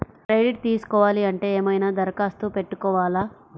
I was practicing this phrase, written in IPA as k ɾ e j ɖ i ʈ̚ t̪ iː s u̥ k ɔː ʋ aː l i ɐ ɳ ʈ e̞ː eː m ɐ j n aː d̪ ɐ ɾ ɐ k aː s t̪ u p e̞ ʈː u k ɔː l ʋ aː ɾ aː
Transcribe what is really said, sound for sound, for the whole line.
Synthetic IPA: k ɾ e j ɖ i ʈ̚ t̪ iː s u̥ k ɔː ʋ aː l i ɐ ɳ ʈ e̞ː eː m ɐ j n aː d̪ ɐ ɾ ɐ k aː s t̪ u p e̞ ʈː u k ɔː ʋ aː l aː